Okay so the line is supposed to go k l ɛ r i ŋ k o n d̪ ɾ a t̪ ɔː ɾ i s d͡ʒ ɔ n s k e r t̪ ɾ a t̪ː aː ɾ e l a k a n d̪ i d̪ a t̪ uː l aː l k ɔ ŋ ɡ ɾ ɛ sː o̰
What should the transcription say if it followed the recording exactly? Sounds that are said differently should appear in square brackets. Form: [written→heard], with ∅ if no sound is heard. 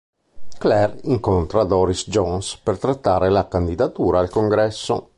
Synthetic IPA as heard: k l ɛ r i ŋ k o n [d̪→t̪] ɾ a [t̪→d̪] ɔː ɾ i s d͡ʒ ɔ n s [k→p] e r t̪ ɾ a t̪ː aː ɾ e l a k a n d̪ i d̪ a t̪ uː [l→ɾ] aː l k [ɔ→o] ŋ ɡ ɾ ɛ sː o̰